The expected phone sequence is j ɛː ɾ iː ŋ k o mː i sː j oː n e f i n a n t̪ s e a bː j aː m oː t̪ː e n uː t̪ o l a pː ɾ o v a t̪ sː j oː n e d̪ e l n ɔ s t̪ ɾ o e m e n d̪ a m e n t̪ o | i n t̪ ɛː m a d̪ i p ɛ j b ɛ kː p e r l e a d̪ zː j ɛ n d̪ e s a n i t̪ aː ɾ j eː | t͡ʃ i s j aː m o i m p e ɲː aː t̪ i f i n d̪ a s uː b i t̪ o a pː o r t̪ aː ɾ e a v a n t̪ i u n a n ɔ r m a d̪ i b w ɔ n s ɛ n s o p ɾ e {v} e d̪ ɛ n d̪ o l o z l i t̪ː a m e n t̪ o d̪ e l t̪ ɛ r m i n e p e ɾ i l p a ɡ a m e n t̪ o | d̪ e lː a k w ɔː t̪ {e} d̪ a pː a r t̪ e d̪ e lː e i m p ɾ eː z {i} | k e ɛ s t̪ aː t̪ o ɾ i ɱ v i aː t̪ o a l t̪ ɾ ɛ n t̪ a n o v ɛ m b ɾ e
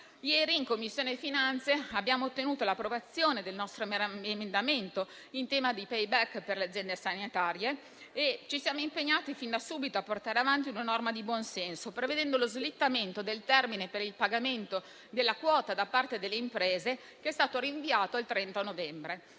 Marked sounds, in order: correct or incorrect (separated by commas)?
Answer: correct, incorrect, incorrect